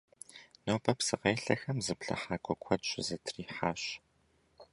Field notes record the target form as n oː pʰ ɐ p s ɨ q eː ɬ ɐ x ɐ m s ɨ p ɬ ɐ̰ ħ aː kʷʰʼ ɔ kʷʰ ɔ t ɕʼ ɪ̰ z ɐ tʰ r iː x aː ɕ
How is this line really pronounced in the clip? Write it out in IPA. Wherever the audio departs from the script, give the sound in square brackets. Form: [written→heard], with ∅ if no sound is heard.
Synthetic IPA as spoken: n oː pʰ ɐ p s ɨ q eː ɬ ɐ x ɐ m [s→z] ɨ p ɬ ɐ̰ ħ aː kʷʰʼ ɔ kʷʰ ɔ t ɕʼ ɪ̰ z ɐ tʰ r iː [x→ħ] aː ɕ